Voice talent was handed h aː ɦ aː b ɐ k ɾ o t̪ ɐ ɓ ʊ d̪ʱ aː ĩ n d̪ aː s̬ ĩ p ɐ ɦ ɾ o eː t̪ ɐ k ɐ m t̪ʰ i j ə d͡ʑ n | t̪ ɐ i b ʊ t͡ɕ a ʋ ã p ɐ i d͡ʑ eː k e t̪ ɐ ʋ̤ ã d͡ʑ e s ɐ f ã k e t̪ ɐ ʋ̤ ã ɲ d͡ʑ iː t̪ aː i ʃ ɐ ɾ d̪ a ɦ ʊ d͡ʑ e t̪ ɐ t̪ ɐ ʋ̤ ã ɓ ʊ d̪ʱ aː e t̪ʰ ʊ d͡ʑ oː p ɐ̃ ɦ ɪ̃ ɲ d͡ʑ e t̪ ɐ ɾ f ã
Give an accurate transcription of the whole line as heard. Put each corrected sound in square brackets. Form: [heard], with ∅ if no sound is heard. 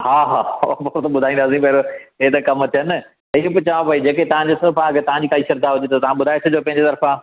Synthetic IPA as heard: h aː ɦ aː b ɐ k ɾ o t̪ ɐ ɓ ʊ d̪ʱ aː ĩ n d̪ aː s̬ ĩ p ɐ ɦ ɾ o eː t̪ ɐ k ɐ m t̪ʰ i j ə [∅] n | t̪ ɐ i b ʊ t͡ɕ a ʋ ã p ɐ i d͡ʑ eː k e t̪ ɐ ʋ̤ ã d͡ʑ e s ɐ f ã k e t̪ ɐ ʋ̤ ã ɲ d͡ʑ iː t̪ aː i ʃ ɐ ɾ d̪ a ɦ ʊ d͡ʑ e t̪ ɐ t̪ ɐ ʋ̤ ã ɓ ʊ d̪ʱ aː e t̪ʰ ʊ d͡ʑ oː p ɐ̃ ɦ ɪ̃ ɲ d͡ʑ e t̪ ɐ ɾ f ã